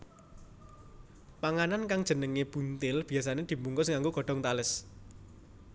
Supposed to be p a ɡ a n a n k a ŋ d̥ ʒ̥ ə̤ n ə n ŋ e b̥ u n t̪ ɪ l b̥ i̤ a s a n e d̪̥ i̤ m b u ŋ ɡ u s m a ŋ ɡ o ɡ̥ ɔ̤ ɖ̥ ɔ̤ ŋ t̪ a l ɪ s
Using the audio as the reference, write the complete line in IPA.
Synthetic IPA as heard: p a ŋ a n a n k a ŋ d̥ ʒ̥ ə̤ n ə ŋ e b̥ u n t̪ ɪ l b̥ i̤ a s a n e d̪̥ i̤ m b u ŋ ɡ ʊ s ŋ a ŋ ɡ o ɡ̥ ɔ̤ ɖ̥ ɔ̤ ŋ t̪ a l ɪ s